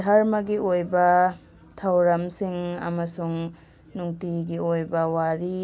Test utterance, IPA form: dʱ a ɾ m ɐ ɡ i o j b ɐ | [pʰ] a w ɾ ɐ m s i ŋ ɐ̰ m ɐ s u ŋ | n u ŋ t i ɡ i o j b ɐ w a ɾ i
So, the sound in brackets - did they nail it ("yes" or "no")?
no